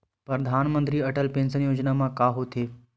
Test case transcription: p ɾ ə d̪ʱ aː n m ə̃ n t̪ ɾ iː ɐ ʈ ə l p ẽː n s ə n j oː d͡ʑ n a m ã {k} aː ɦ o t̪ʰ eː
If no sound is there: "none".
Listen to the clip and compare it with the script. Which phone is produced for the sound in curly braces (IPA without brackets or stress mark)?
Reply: k